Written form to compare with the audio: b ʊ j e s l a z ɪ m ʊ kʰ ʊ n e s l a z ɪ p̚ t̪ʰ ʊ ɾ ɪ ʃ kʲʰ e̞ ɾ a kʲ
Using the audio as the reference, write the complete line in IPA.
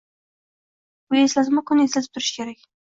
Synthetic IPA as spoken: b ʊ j e s l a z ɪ m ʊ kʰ ʊ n e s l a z ɪ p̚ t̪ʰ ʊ ɾ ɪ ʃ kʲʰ e̞ ɾ a kʲ

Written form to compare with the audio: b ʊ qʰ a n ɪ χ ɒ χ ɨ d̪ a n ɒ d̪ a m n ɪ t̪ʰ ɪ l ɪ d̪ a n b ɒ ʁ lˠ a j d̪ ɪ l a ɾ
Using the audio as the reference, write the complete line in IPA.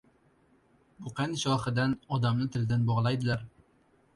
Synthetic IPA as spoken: b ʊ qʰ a n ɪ ʃ ɒ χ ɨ d̪ a n ɒ d̪ a m n ɪ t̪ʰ ɪ l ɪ d̪ a n b ɒ ʁ lˠ a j d̪ ɪ l a ɾ

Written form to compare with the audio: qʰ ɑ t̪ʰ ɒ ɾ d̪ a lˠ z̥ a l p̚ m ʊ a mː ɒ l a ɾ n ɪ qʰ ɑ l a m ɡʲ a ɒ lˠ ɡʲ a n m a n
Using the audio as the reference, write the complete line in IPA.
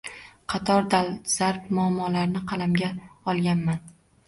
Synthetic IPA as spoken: qʰ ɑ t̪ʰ ɒ ɾ d̪ a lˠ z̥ a ɾ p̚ m ʊ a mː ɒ l a ɾ n ɪ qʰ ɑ l a m ɡʲ a ɒ lˠ ɡʲ a n m a n

